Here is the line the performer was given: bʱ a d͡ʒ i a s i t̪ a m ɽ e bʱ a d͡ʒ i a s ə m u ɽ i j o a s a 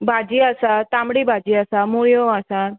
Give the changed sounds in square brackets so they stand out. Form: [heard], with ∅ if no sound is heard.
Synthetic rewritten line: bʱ a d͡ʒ i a s [a] t̪ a m ɽ [i] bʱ a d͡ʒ i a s [a] m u [ɭ] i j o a s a